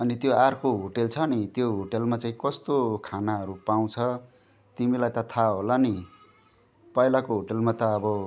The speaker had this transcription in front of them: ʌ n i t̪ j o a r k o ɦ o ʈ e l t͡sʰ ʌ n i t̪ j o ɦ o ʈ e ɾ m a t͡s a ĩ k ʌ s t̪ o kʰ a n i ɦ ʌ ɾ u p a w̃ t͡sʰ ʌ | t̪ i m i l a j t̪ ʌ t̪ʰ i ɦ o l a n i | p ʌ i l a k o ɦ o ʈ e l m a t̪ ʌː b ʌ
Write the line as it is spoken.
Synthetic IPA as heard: ʌ n i t̪ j o a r k o ɦ o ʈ e l t͡sʰ ʌ n i t̪ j o ɦ o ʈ e l m a t͡s a ĩ k ʌ s t̪ o kʰ a n a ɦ ʌ ɾ u p a w̃ t͡sʰ ʌ | t̪ i m i l a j t̪ ʌ t̪ʰ a ɦ o l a n i | p ʌ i l a k o ɦ o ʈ e l m a t̪ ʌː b ʌ